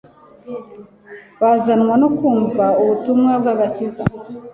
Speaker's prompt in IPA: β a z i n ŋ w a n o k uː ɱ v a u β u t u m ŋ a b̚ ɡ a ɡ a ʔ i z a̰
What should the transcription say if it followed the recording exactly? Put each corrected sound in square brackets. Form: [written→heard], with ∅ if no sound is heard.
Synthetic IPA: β a z [i→a] n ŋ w a n o k uː ɱ v a u β u t u m ŋ a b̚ ɡ a ɡ a [ʔ→c] i z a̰